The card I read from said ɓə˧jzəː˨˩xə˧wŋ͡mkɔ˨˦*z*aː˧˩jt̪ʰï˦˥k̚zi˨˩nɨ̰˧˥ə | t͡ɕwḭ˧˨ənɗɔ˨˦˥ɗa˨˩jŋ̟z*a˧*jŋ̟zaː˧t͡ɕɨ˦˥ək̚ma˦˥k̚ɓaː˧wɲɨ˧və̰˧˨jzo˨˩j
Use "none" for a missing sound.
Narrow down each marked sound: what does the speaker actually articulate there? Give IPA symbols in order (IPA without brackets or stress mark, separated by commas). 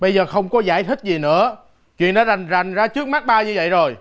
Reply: z, a˨˩